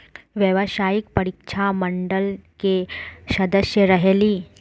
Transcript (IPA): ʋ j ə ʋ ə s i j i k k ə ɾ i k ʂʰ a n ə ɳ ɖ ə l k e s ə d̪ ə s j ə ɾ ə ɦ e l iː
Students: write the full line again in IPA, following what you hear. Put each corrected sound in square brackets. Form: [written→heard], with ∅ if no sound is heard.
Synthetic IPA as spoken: ʋ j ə ʋ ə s [i→a] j i k [k→p] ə ɾ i k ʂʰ a [n→m] ə ɳ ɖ ə l k e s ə d̪ ə s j ə ɾ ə ɦ e l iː